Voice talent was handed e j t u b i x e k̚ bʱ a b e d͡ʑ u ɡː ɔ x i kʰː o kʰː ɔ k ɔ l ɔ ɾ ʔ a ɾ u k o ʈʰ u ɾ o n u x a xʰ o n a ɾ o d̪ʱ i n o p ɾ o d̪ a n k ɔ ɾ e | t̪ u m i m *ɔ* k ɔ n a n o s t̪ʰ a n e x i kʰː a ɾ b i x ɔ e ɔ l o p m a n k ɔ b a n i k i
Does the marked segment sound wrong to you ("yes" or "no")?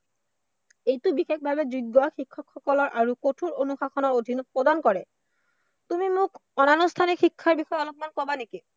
yes